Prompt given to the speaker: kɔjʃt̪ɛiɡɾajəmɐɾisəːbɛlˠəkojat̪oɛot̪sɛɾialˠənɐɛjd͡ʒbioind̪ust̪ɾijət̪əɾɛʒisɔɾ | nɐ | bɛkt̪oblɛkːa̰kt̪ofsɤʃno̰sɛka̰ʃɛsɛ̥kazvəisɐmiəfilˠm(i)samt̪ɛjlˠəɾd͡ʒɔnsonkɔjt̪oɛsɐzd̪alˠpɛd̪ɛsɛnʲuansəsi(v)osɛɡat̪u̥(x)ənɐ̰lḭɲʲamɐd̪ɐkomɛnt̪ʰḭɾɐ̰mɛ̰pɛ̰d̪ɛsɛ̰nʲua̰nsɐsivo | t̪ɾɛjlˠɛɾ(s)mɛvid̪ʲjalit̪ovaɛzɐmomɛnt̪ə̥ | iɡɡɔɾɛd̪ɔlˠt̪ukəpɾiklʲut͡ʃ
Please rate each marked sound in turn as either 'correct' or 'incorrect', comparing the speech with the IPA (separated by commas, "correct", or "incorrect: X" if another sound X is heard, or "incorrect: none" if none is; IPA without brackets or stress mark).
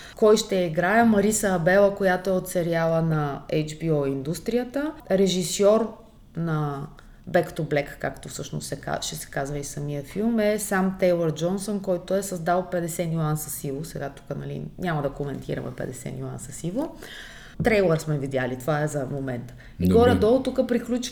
incorrect: ɛ, correct, incorrect: k, correct